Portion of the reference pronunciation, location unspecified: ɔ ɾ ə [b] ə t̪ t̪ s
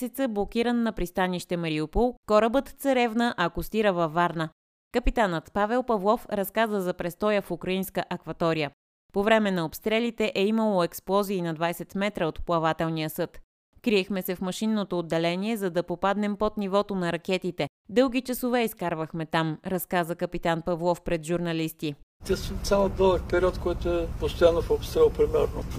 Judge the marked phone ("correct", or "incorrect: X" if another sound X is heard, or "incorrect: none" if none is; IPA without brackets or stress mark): correct